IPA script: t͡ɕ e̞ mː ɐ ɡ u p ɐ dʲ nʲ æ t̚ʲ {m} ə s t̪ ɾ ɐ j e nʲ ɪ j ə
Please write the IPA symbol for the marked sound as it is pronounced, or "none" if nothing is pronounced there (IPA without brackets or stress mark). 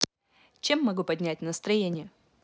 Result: n